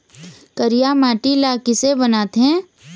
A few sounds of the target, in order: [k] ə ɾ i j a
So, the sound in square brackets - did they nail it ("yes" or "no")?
yes